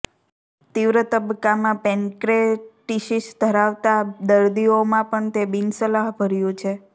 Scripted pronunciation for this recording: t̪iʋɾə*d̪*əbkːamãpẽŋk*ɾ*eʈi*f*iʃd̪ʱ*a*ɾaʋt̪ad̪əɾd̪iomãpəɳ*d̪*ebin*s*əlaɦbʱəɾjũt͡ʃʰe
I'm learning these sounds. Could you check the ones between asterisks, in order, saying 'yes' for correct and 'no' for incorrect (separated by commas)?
no, yes, no, no, no, yes